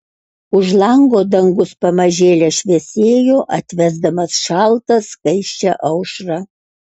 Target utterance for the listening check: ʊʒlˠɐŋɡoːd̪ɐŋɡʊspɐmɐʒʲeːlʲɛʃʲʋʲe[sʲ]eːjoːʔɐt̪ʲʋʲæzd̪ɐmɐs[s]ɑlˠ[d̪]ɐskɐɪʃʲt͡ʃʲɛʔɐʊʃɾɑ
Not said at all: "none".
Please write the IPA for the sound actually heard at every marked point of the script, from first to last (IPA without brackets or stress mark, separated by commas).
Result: sʲ, ʃ, t̪